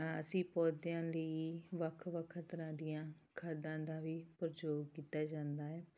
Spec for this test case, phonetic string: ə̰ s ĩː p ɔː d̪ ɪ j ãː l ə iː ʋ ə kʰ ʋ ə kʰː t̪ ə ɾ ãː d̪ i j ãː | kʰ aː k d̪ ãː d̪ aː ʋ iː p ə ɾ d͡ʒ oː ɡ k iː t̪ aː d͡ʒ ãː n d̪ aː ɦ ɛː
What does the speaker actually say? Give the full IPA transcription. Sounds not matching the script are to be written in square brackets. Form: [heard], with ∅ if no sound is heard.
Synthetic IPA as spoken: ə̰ s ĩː p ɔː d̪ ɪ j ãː l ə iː ʋ ə kʰ ʋ ə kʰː t̪ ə ɾ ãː d̪ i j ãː | kʰ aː [∅] d̪ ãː d̪ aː ʋ iː p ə ɾ d͡ʒ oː ɡ k iː t̪ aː d͡ʒ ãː n d̪ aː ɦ ɛː